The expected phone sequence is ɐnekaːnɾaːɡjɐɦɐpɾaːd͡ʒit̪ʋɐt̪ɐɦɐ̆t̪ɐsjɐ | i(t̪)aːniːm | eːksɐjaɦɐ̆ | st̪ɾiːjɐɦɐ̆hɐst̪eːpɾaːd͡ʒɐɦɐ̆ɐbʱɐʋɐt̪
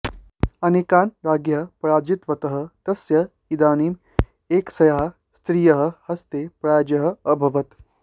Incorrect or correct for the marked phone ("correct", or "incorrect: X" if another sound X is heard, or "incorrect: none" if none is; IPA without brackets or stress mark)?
incorrect: d̪